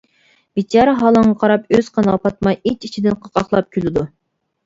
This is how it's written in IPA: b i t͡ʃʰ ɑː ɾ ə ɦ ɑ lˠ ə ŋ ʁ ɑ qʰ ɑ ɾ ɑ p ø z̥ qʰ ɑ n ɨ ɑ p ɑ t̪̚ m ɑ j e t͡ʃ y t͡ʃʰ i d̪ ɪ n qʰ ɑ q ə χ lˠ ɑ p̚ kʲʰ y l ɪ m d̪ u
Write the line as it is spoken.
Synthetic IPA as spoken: b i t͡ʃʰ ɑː ɾ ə ɦ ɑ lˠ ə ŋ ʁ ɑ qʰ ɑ ɾ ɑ p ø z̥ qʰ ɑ n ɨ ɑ p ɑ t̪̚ m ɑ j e t͡ʃ i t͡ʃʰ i d̪ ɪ n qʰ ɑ q ɑ χ lˠ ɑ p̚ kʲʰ y l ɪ d̪ u